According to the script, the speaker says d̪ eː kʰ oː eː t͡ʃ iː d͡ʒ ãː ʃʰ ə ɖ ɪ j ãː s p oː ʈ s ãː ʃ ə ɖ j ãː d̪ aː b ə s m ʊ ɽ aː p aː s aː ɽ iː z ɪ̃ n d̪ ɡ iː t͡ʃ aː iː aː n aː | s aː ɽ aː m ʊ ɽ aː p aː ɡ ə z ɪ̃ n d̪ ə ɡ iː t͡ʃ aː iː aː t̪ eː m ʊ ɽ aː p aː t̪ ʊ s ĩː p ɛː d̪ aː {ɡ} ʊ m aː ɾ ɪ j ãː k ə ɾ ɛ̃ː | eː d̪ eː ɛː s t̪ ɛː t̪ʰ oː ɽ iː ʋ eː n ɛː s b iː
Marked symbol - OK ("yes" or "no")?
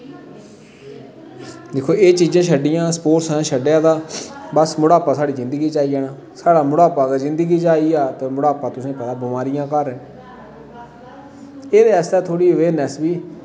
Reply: no